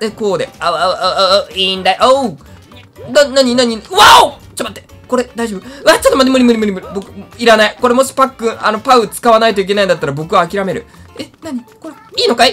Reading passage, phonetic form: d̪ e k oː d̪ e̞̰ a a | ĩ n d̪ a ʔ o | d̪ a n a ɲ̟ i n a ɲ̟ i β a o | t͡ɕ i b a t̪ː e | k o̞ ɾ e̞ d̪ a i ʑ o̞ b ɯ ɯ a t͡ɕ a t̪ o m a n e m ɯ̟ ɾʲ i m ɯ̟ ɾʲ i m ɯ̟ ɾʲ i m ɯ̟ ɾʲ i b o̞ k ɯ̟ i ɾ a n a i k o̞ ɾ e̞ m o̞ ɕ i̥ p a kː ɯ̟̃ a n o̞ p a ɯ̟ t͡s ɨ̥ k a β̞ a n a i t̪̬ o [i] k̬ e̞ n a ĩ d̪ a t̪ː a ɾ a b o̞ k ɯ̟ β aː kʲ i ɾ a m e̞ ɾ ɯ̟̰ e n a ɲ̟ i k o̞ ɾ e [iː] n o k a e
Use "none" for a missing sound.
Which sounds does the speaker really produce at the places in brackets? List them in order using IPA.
i, iː

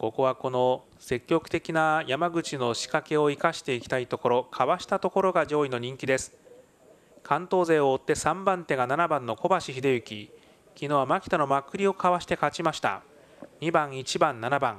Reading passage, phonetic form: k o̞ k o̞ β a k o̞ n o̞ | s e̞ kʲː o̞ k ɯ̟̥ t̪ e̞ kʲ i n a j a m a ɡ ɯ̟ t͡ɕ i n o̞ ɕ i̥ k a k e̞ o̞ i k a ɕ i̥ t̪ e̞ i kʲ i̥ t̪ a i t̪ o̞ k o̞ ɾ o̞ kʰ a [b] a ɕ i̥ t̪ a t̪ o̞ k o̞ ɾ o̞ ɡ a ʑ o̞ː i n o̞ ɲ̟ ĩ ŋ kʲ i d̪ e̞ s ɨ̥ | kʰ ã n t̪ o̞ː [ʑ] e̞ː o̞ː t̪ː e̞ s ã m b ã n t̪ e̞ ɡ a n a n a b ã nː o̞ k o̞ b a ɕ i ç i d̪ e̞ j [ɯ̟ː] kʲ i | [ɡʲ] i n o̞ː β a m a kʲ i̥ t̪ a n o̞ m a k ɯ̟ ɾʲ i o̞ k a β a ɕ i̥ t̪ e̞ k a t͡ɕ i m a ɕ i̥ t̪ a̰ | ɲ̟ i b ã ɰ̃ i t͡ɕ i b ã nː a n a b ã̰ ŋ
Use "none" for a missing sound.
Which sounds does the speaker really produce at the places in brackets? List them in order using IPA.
β, z, ɯ̟, kʲ

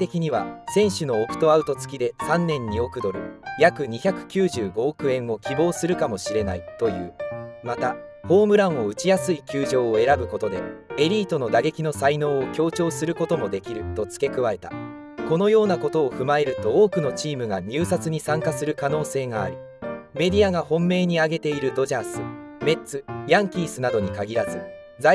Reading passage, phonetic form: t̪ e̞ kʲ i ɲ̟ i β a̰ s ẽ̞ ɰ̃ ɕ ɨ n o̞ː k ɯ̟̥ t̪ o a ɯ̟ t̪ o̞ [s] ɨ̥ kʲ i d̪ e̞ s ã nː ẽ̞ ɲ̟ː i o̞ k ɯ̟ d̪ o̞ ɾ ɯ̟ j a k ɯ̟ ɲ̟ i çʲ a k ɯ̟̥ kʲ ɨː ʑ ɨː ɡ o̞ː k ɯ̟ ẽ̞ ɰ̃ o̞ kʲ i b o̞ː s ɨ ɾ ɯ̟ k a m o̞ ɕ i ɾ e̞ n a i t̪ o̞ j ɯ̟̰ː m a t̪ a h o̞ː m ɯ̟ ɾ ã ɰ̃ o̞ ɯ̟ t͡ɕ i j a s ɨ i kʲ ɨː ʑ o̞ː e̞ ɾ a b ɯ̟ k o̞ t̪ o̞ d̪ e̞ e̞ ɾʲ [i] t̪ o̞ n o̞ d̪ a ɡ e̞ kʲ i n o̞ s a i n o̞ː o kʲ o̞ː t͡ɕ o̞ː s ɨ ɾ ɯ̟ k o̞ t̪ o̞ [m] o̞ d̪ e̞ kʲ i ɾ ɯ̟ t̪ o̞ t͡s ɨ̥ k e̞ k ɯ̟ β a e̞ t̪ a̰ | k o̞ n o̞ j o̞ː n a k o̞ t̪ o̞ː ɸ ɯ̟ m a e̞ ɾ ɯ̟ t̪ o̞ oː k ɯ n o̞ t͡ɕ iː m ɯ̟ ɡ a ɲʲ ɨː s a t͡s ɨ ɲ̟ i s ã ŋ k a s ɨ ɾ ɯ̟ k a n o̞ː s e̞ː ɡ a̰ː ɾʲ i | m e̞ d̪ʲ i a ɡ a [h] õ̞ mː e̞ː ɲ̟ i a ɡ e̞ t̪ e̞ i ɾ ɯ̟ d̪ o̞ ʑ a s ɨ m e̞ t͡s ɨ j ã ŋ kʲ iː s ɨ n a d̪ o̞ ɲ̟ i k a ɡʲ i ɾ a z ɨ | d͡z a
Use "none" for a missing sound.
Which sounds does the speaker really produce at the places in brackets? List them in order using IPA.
t͡s, iː, m, h

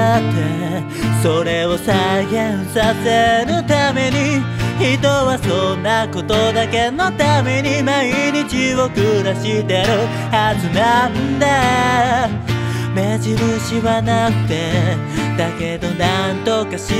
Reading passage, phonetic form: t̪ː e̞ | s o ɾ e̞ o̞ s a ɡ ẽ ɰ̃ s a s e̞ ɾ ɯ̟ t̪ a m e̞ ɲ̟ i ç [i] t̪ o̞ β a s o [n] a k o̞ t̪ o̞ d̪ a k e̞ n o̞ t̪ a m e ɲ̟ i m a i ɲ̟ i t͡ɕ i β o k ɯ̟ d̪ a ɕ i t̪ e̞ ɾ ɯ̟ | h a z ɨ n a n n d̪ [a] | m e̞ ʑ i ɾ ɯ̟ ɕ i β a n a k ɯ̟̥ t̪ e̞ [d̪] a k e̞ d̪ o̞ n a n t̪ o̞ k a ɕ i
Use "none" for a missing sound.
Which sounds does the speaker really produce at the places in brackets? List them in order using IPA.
i, nː, a, d̪

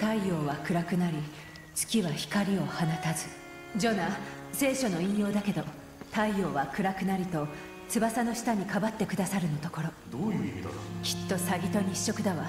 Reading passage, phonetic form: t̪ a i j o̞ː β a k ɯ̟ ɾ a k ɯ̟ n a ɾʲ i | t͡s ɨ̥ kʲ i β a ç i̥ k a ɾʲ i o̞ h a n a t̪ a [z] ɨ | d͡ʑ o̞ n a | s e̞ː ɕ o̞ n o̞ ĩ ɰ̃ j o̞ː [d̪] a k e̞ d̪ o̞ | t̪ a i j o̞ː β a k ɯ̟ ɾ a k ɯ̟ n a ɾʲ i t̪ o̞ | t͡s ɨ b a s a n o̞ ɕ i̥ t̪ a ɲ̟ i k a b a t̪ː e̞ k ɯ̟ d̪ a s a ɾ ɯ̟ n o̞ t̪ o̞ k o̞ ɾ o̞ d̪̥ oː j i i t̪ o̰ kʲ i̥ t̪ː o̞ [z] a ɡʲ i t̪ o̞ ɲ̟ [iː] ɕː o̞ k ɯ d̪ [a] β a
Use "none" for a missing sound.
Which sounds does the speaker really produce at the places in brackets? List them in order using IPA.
z, d̪, s, i, a

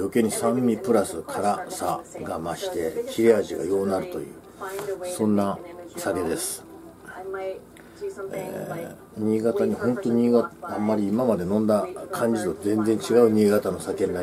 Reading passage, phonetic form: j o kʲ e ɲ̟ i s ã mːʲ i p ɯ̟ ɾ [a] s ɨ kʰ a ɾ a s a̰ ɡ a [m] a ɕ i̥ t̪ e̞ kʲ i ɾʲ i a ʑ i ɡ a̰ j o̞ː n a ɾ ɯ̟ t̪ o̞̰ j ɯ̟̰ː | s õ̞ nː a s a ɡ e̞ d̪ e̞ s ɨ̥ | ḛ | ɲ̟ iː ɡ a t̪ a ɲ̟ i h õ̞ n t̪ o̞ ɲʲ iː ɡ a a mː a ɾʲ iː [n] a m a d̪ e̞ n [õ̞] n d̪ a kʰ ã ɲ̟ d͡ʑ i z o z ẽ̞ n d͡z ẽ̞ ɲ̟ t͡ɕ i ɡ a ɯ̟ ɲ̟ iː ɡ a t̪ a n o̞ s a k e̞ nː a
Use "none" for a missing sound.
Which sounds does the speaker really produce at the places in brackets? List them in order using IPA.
a, m, m, õ̞

